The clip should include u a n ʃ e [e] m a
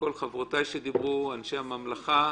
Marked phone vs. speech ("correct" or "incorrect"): incorrect